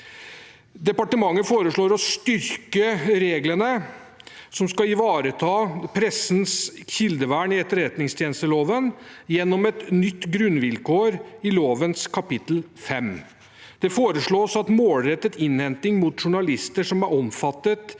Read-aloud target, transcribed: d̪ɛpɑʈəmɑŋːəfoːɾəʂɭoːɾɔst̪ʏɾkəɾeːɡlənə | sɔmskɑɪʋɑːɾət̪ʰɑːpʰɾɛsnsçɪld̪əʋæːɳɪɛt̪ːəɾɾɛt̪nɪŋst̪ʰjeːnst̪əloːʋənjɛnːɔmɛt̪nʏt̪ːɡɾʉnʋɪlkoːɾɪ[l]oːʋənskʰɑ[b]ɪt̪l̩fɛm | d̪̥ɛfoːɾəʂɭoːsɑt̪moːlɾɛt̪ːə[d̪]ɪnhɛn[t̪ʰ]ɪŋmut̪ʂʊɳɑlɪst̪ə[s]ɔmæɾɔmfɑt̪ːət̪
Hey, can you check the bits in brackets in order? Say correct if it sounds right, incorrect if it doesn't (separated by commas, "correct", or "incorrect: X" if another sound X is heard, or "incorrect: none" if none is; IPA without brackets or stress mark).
correct, incorrect: p, incorrect: t̪, incorrect: t̪, incorrect: ʂ